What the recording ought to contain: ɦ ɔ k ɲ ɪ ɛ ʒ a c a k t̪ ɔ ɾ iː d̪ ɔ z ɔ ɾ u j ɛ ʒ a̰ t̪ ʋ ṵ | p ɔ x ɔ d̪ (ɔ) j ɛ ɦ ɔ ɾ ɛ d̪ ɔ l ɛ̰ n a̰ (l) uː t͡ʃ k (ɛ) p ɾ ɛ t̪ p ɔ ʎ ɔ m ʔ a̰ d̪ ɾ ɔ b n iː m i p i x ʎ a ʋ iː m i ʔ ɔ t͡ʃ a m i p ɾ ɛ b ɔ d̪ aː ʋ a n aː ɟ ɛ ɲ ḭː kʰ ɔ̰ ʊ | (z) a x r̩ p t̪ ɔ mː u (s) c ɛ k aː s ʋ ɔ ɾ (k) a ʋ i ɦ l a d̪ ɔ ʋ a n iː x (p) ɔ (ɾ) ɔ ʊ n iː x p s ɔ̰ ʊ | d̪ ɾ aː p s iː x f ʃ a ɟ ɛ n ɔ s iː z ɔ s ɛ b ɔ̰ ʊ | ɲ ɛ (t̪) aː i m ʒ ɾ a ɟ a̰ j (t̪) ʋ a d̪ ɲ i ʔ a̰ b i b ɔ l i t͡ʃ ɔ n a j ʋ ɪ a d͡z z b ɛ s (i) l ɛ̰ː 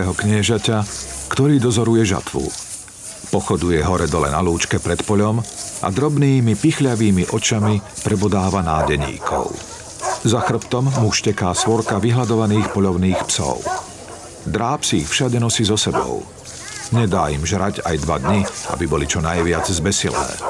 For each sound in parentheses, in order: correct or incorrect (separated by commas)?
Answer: incorrect, correct, correct, correct, incorrect, correct, correct, incorrect, incorrect, incorrect, correct